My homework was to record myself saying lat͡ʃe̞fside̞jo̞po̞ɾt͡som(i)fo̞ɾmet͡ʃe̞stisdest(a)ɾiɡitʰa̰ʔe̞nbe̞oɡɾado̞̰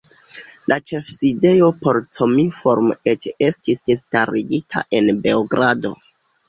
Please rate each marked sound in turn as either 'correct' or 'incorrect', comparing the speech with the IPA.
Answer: correct, correct

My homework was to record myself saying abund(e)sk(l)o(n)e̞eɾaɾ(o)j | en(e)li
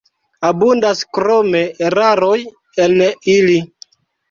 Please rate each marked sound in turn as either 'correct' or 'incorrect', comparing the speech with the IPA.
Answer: incorrect: a, incorrect: ɾ, incorrect: m, correct, incorrect: i

